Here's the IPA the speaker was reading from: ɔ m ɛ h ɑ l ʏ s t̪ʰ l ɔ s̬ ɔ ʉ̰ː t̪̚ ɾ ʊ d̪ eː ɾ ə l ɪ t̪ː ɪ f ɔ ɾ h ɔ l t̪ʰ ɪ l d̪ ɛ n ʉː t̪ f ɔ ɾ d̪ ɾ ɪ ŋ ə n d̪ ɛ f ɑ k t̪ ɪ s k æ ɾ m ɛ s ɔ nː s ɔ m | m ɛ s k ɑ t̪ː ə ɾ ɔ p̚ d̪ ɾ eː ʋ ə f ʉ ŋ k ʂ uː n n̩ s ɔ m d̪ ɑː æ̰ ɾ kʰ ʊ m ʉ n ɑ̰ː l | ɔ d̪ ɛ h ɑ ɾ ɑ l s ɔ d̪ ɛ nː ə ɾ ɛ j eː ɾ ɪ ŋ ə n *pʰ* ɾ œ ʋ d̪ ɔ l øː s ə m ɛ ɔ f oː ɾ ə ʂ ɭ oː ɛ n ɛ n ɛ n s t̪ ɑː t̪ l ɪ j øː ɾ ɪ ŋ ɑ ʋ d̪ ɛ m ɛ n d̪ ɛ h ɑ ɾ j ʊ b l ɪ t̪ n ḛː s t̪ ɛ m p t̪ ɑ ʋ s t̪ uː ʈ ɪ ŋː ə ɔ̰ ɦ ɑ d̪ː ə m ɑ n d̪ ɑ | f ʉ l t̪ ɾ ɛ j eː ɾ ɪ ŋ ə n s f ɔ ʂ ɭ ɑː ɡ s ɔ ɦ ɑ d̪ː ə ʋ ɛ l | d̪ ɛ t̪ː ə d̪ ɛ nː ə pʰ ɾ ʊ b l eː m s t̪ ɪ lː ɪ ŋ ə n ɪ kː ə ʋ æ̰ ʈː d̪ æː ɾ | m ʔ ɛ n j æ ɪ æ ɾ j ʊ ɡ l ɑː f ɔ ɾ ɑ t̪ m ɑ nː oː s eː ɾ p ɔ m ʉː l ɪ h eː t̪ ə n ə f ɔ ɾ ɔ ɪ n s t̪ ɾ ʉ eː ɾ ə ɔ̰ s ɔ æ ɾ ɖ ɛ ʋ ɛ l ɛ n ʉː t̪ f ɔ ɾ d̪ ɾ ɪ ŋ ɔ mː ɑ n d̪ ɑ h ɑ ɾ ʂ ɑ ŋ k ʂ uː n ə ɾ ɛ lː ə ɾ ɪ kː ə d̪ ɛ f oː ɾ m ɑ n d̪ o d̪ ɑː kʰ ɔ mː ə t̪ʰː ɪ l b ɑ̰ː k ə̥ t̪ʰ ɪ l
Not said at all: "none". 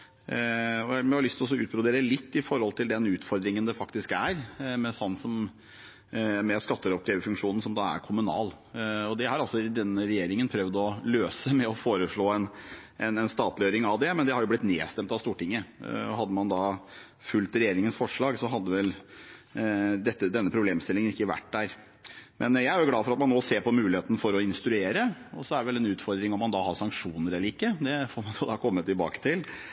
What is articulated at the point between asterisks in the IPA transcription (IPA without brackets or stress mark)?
pʰ